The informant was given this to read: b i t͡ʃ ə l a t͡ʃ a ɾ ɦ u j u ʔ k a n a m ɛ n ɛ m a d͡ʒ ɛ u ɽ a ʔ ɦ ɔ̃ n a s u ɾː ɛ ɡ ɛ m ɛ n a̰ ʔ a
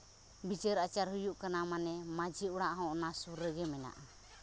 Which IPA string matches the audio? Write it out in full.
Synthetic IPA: b i t͡ʃ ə ɾ a t͡ʃ a ɾ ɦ u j u ʔ k a n a m a n ɛ m a d͡ʒ i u ɽ a ʔ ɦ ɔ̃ n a s u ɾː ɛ ɡ ɛ m ɛ n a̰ ʔ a